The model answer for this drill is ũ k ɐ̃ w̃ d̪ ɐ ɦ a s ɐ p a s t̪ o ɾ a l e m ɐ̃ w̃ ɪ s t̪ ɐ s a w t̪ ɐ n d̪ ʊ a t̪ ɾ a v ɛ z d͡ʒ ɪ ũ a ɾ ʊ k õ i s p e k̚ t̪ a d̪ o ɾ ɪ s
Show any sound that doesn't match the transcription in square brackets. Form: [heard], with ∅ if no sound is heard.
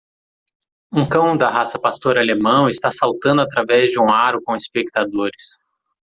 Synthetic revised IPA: ũ k ɐ̃ w̃ d̪ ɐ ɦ a s ɐ p a s t̪ o ɾ a l e m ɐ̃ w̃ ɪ s t̪ [a] s a w t̪ [ɐ̃] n d̪ ʊ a t̪ ɾ a v ɛ z d͡ʒ ɪ ũ a ɾ ʊ k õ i s p e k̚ t̪ a d̪ o ɾ ɪ s

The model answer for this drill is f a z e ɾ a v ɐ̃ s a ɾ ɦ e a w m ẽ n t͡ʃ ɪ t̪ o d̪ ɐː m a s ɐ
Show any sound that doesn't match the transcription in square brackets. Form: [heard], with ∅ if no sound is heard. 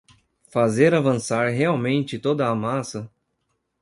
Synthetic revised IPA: f a z e ɾ a v ɐ̃ s a ɾ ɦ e a w m ẽ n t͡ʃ ɪ t̪ o d̪ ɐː m a s ɐ

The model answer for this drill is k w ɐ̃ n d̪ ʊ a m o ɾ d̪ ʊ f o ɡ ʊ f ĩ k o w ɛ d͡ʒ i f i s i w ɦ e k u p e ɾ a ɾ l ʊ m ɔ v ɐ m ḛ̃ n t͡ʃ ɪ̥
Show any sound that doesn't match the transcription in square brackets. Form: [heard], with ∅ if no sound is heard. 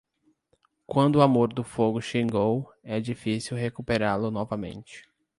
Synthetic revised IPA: k w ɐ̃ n d̪ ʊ a m o ɾ d̪ ʊ f o ɡ ʊ [ʃ] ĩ [ɡ] o w ɛ d͡ʒ i f i s i w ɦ e k u p e ɾ a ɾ l ʊ [n] ɔ v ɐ m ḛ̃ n t͡ʃ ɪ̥

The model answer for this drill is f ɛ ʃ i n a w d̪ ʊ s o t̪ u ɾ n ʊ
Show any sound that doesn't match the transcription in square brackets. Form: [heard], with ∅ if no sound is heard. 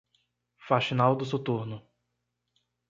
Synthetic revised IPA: f [a] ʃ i n a w d̪ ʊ s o t̪ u ɾ n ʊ

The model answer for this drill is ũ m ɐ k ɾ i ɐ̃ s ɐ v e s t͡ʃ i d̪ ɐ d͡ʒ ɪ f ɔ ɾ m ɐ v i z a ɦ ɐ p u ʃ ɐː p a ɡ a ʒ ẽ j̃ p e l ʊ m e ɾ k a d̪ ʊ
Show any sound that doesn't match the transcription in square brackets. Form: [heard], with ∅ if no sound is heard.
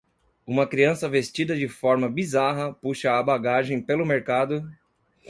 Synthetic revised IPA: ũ m ɐ k ɾ i ɐ̃ s ɐ v e s t͡ʃ i d̪ ɐ d͡ʒ ɪ f ɔ ɾ m ɐ [b] i z a ɦ ɐ p u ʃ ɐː [b] a ɡ a ʒ ẽ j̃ p e l ʊ m e ɾ k a d̪ ʊ

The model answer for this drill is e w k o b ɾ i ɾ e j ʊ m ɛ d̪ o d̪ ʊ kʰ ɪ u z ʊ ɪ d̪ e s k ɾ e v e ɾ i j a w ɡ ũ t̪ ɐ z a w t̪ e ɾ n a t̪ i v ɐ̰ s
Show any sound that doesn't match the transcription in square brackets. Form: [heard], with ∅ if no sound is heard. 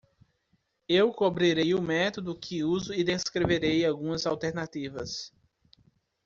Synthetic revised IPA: e w k o b ɾ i ɾ e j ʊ m ɛ [t̪] o d̪ ʊ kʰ ɪ u z ʊ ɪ d̪ e s k ɾ e v e ɾ [e] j a w ɡ ũ [∅] ɐ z a w t̪ e ɾ n a t̪ i v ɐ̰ s

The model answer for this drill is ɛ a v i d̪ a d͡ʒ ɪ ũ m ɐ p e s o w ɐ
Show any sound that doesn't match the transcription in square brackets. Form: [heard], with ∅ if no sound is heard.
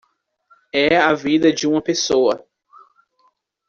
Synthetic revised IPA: ɛ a v i d̪ [ɐ] d͡ʒ ɪ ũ m ɐ p e s o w ɐ

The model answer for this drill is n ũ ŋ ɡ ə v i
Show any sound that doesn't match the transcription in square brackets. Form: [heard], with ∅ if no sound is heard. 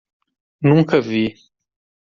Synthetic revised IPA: n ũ ŋ [k] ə v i

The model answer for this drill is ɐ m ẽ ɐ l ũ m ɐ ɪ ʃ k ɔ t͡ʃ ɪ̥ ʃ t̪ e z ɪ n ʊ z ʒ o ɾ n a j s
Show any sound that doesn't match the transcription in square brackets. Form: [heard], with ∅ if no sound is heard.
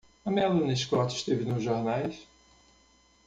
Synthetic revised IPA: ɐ m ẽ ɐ l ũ [n] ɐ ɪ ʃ k ɔ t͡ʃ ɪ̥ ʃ t̪ e [v] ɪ n ʊ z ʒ o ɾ n a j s

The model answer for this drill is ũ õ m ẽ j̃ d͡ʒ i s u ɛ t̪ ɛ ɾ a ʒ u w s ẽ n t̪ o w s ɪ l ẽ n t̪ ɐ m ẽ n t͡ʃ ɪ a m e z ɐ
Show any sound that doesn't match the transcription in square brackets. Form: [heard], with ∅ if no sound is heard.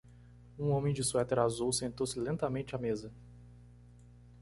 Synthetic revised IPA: ũ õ m ẽ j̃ d͡ʒ [ɪ] s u ɛ t̪ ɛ ɾ a [z] u w s ẽ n t̪ o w s ɪ l ẽ n t̪ ɐ m ẽ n t͡ʃ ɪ a m e z ɐ

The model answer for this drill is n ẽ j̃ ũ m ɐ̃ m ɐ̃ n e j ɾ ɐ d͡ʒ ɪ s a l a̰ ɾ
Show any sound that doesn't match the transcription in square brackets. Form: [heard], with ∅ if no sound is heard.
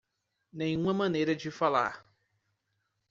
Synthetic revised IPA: n ẽ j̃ ũ m [ɐ] m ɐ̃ n e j ɾ ɐ d͡ʒ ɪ [f] a l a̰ ɾ

